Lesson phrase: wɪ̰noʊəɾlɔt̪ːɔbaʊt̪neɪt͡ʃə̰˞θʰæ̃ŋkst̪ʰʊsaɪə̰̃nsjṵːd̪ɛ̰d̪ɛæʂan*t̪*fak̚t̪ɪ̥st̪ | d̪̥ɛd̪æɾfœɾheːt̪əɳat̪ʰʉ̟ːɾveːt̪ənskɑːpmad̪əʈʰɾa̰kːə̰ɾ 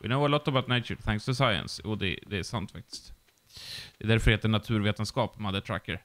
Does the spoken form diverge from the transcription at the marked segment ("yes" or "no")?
no